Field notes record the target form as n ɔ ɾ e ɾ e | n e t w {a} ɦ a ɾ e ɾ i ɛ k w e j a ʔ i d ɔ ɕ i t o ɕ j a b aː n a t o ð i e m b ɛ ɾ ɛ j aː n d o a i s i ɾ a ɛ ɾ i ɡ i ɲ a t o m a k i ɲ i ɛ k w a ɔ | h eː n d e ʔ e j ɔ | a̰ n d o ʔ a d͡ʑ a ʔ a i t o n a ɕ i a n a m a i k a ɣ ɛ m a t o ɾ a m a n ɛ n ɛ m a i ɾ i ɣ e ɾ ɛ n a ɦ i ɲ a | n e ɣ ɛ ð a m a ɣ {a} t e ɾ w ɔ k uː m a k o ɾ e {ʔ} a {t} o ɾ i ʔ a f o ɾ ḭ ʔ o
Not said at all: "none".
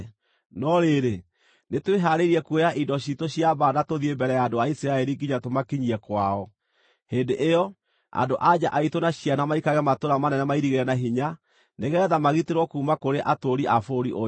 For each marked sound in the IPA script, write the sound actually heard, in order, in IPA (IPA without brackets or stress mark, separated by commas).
e, i, ʔ, t